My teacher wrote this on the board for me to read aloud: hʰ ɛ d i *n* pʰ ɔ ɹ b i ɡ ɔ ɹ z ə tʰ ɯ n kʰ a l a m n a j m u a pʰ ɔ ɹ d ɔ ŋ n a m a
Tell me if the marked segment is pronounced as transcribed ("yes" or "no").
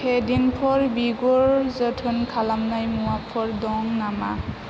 yes